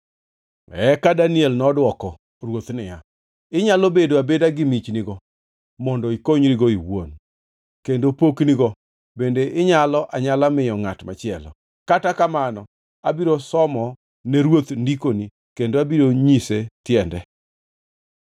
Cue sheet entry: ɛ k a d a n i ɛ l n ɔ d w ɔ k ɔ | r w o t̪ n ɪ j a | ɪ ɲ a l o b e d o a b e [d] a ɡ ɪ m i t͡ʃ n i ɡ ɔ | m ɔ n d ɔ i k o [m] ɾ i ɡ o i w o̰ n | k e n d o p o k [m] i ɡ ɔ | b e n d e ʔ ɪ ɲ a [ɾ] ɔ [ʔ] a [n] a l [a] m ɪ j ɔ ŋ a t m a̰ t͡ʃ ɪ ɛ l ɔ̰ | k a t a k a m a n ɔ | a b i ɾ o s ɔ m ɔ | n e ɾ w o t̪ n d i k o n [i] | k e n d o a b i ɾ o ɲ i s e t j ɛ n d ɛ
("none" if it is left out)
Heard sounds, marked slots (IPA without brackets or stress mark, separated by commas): d, ɲ, n, l, ʔ, ɲ, a, i